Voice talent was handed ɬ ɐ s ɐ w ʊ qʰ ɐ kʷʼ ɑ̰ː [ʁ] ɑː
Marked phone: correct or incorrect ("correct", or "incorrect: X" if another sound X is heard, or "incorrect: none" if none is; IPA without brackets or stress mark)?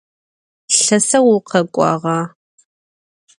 correct